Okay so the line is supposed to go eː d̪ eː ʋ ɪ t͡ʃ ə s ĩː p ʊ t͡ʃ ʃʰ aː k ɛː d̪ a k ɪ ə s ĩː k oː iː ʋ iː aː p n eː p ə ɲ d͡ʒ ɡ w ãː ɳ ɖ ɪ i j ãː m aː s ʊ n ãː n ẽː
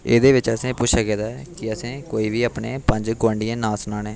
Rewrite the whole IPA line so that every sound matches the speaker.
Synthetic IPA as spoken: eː d̪ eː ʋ ɪ t͡ʃ ə s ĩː p ʊ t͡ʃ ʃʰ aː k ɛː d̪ a k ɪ ə s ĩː k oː iː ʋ iː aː p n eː p ə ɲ d͡ʒ ɡ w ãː ɳ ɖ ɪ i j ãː n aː s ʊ n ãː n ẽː